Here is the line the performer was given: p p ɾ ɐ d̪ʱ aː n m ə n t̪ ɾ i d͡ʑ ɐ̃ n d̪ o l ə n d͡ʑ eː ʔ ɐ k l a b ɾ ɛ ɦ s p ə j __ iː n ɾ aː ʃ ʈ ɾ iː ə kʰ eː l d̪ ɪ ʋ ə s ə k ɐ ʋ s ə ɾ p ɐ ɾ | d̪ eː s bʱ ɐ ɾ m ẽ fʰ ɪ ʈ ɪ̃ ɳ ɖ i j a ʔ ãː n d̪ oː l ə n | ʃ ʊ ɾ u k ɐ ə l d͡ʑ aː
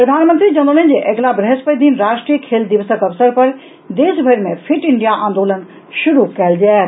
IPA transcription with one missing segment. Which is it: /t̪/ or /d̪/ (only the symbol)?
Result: d̪